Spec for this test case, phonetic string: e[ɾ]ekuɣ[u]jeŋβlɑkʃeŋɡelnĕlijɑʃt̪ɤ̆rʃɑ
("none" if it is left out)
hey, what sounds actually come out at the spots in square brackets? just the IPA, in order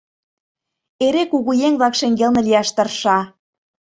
ɾ, u

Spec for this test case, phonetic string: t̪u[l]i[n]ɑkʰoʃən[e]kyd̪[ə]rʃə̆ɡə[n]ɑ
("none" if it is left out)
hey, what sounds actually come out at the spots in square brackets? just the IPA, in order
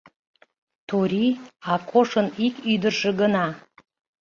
ɾ, none, i, ə, n

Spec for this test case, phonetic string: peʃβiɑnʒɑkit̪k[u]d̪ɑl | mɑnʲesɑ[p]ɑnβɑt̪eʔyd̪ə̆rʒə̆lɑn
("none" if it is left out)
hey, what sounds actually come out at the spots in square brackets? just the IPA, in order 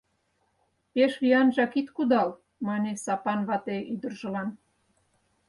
u, p

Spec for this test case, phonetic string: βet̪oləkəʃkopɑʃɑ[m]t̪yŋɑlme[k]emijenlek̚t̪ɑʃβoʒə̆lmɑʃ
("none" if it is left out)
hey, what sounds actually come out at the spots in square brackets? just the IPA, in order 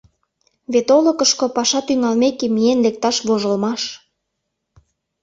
none, k

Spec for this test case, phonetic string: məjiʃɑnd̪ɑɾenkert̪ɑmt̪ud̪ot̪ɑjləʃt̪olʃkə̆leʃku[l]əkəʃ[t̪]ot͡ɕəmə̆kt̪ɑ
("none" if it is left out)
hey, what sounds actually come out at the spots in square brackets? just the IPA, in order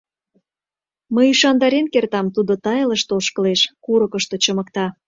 ɾ, t̪

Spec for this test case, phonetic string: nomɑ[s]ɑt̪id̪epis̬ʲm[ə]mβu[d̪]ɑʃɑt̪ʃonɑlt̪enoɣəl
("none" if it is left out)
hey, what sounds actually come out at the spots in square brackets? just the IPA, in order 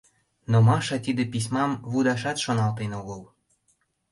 ʃ, ɑ, d̪

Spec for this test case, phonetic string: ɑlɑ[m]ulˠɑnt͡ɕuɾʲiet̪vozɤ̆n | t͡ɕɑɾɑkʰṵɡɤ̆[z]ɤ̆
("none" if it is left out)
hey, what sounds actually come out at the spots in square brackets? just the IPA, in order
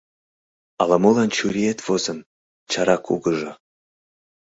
m, ʒ

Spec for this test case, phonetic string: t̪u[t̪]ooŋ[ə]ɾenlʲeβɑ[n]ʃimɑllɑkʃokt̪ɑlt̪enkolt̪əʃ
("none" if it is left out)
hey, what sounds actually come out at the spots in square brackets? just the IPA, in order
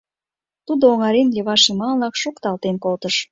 d̪, ɑ, none

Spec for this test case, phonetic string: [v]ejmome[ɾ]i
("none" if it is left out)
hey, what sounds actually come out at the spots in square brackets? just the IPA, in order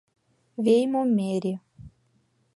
v, ɾ

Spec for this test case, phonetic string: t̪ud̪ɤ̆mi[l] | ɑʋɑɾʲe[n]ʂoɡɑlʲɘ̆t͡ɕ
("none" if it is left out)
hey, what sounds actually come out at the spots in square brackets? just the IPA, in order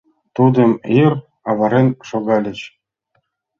r, n

